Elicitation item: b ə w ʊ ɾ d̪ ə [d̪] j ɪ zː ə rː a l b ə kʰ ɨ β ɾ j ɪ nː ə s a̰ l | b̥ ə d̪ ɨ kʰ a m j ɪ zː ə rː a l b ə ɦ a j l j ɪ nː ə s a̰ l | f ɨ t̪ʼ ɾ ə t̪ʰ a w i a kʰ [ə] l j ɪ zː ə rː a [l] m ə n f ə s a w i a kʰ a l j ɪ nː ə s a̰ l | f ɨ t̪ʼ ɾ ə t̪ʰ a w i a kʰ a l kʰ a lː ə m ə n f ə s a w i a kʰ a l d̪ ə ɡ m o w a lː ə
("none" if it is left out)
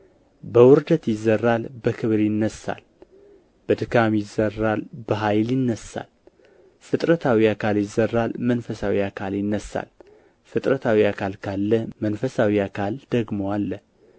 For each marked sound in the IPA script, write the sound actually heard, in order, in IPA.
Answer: t̪, a, l

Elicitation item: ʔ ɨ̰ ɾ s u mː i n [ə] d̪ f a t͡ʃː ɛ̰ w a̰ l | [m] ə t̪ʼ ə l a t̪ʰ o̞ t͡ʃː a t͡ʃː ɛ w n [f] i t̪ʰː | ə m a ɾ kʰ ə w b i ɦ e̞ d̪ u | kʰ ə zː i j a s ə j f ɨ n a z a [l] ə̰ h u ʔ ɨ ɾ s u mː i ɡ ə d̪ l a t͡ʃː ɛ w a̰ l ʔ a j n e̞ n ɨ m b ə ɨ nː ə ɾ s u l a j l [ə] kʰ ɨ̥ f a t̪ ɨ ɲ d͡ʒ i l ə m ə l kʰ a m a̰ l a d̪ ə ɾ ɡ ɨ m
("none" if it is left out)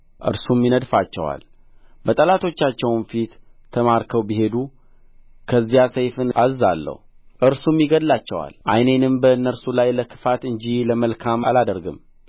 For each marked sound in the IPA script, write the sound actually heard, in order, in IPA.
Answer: ə, b, f, lː, ə

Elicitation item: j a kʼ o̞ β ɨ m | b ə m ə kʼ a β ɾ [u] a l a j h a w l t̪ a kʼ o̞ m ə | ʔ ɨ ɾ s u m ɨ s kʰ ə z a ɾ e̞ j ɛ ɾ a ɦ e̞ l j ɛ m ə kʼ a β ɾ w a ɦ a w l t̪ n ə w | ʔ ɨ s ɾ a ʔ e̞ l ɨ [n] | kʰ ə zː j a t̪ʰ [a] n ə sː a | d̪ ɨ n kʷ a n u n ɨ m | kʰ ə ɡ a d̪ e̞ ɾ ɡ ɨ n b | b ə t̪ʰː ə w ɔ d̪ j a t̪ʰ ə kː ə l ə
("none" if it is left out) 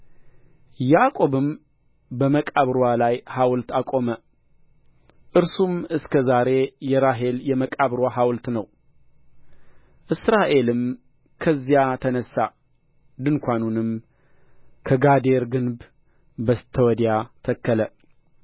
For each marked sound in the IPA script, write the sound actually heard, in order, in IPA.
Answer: w, m, ə

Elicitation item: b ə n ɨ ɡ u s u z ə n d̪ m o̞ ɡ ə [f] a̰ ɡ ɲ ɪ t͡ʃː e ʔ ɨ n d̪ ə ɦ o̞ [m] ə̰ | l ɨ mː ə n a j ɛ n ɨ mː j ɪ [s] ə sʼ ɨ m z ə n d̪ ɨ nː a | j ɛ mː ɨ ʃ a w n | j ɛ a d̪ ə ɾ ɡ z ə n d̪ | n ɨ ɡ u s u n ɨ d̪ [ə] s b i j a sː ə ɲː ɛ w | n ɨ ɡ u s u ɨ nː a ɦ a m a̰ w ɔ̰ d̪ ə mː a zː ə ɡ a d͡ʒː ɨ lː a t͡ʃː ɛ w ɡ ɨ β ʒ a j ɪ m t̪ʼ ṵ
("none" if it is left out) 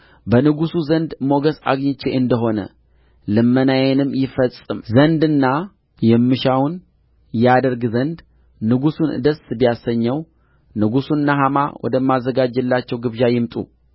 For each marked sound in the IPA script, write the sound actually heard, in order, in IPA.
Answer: s, n, f, ə

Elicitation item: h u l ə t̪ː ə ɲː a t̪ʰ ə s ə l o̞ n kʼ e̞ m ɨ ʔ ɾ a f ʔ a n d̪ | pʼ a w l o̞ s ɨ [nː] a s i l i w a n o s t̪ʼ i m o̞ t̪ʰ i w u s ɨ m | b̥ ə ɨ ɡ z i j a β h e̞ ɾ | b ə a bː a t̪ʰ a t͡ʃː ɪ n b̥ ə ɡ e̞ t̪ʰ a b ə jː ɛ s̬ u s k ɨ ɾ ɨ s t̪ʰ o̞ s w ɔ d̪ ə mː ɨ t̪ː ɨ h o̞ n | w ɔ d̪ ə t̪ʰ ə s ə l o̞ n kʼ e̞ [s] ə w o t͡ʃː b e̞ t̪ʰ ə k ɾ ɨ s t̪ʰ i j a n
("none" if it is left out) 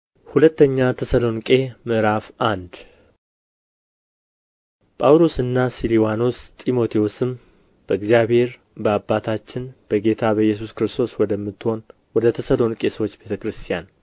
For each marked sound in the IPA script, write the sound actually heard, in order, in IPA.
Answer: nː, s

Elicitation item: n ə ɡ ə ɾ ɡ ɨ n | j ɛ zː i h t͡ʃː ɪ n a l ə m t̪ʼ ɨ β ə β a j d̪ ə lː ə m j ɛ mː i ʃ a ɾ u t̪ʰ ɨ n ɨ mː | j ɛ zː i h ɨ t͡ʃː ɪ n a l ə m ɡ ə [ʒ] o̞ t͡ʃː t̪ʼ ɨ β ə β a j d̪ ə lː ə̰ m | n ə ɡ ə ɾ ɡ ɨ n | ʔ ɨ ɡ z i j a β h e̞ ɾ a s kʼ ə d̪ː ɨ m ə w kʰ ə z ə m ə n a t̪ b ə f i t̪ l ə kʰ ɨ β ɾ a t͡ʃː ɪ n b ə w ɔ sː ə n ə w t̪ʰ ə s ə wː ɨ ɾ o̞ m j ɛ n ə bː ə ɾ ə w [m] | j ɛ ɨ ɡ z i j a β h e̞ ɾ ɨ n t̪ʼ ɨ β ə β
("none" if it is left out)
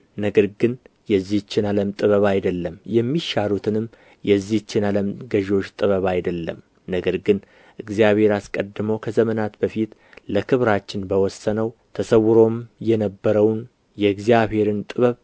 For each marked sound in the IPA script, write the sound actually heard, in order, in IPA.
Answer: ʒ, n

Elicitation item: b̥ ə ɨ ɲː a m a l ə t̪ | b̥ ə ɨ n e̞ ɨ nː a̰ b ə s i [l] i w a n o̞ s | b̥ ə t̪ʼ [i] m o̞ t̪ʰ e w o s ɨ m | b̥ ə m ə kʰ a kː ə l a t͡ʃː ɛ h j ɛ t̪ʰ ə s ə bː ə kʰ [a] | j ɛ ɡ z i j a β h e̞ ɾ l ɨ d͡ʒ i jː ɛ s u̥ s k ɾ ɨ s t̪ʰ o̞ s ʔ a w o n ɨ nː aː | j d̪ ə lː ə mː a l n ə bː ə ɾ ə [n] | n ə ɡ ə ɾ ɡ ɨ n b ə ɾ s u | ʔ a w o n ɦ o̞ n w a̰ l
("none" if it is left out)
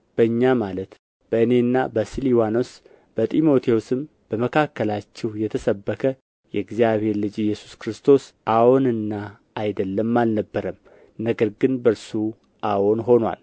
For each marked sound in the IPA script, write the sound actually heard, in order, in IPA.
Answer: l, i, ə, m

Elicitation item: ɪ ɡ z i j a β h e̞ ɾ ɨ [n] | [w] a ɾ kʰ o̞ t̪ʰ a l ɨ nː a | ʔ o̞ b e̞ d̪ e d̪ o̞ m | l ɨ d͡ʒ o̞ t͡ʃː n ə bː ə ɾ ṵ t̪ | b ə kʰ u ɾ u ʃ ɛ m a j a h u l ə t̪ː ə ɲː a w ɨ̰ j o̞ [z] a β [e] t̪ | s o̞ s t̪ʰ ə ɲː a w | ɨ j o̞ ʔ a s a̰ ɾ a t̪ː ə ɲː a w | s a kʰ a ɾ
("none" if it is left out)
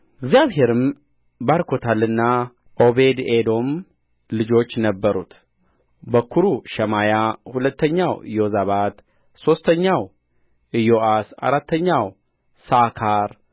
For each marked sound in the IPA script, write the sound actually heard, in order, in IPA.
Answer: m, b, z, a

